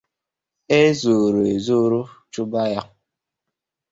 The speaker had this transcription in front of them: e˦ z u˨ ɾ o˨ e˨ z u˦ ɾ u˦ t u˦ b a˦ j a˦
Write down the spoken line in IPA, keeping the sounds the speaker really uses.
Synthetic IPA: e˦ z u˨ ɾ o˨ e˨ z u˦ ɾ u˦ t͡ʃ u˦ b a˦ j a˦